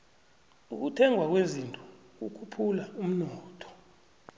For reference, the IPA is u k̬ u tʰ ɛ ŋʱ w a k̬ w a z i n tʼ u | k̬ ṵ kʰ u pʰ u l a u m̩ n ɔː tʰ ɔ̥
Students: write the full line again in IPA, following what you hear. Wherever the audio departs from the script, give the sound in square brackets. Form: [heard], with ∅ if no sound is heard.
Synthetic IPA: u k̬ u tʰ ɛ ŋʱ w a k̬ w [e] z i n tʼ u | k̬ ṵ kʰ u pʰ u l a u m̩ n ɔː tʰ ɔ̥

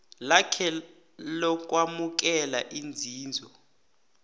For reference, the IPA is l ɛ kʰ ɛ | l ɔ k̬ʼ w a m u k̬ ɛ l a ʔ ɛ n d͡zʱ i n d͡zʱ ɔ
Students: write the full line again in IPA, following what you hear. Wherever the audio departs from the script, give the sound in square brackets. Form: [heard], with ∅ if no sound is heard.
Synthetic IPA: l [a] kʰ ɛ | l ɔ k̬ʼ w a m u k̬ ɛ l a ʔ [i] n d͡zʱ [iː] n d͡zʱ ɔ

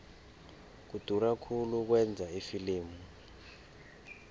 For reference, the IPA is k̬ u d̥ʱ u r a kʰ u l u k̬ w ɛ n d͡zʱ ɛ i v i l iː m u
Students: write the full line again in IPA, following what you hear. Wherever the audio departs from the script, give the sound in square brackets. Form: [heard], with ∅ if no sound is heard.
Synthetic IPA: k̬ u d̥ʱ u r a kʰ u l u k̬ w ɛ n d͡zʱ [a] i [f] i l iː m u

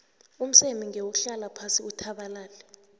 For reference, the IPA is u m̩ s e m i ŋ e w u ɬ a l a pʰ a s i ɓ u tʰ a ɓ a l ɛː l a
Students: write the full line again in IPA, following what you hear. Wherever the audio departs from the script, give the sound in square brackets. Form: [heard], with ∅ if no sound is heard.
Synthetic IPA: u m̩ s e m i ŋ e w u ɬ a l a pʰ a s i [∅] u tʰ a ɓ a l [aː] l [ɛ]

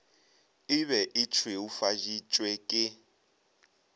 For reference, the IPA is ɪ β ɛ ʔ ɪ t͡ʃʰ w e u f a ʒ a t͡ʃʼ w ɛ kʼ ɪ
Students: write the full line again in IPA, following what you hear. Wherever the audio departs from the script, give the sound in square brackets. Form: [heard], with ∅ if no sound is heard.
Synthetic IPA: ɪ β ɛ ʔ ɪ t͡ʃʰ w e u f a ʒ [i] t͡ʃʼ w ɛ kʼ ɪ

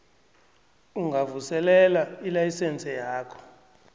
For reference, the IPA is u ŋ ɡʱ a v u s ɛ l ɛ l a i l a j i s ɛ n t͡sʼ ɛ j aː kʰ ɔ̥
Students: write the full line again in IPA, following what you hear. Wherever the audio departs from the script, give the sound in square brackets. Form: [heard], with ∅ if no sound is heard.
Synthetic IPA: u ŋ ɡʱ a v u s ɛ l ɛ l a i l a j i s ɛ n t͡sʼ ɛ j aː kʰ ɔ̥

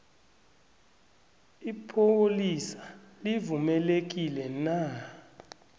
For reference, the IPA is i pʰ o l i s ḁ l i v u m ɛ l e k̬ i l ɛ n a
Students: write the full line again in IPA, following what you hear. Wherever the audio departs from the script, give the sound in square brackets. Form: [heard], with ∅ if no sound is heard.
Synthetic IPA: i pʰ o l i s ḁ l i v u m ɛ l e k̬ i l ɛ n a

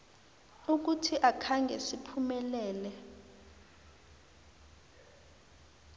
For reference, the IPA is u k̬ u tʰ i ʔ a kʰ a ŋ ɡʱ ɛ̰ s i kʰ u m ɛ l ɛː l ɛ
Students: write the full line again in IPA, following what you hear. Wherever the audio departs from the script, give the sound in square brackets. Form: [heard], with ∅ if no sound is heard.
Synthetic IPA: u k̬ u tʰ i ʔ a kʰ a ŋ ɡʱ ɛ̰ s i [pʰ] u m ɛ l ɛː l ɛ

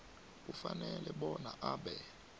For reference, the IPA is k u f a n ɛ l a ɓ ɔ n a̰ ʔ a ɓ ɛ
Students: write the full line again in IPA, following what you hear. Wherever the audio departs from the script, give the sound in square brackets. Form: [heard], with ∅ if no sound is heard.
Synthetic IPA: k u f a n ɛ l [ɛ] ɓ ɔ n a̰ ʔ a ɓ ɛ

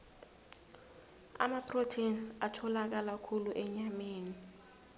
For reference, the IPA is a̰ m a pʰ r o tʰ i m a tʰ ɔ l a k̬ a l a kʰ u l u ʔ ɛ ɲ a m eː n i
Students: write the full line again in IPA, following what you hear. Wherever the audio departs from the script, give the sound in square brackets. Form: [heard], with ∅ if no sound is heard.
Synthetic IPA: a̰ m a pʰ r o tʰ i [n] a tʰ ɔ l a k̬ a l a kʰ u l u ʔ ɛ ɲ a m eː n i

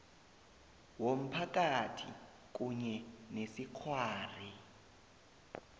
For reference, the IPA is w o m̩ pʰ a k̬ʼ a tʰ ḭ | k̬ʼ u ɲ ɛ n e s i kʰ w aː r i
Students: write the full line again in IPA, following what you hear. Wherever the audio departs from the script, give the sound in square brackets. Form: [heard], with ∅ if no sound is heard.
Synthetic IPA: w o m̩ pʰ a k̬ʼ a tʰ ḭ | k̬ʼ u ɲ ɛ n e s i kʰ w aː r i

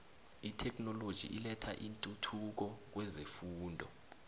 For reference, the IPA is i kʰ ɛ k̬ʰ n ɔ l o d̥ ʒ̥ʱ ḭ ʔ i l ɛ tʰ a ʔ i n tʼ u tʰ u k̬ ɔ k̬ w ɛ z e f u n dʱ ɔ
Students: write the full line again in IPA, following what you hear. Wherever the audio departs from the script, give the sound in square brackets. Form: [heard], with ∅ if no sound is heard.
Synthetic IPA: i [tʰ] ɛ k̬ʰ n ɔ l o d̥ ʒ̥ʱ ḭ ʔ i l ɛ tʰ a ʔ i n tʼ u tʰ u k̬ ɔ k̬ w ɛ z e f [uː] n dʱ ɔ

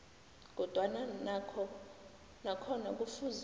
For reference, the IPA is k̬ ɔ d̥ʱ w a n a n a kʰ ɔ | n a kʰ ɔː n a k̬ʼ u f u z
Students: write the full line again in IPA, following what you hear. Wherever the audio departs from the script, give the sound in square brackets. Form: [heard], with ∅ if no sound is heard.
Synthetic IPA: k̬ ɔ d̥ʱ w a n a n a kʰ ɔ | n a kʰ [ɔ] n a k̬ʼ u f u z

